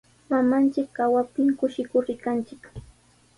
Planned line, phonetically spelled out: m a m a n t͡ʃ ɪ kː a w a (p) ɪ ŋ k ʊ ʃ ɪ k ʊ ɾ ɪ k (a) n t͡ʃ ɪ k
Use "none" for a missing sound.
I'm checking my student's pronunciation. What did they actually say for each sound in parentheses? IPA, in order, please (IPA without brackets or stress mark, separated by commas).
p, a